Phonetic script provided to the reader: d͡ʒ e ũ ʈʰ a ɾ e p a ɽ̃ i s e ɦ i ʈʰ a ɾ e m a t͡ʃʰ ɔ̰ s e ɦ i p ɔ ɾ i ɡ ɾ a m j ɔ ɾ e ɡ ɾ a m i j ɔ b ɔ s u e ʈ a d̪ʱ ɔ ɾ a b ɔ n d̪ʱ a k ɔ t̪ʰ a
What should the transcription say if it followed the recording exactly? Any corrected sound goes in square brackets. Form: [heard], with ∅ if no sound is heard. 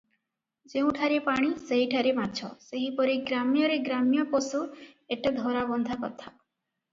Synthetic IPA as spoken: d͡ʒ e ũ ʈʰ a ɾ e p a ɽ̃ i s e ɦ i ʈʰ a ɾ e m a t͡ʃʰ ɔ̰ s e ɦ i p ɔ ɾ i ɡ ɾ a m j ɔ ɾ e ɡ ɾ a m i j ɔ [p] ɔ s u e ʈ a d̪ʱ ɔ ɾ a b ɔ n d̪ʱ a k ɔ t̪ʰ a